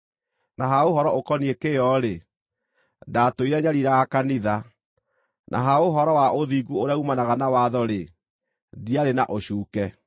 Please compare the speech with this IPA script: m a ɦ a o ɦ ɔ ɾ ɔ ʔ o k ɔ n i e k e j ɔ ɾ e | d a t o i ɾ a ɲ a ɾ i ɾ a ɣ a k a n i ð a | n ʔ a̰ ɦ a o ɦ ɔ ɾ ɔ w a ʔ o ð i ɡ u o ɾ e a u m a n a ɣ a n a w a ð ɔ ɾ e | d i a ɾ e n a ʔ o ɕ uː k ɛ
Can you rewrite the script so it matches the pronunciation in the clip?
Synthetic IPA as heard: n a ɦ a o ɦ ɔ ɾ ɔ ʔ o k ɔ n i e k e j ɔ ɾ e | d a t o i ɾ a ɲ a ɾ i ɾ a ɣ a k a n i ð a | n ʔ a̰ ɦ a o ɦ ɔ ɾ ɔ w a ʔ o ð i ɡ u o ɾ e a u m a n a ɣ a n a w a ð ɔ ɾ e | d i a ɾ e n a ʔ o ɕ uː k ɛ